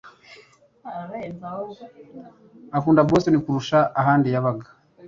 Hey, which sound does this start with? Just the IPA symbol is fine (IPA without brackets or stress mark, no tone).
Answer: a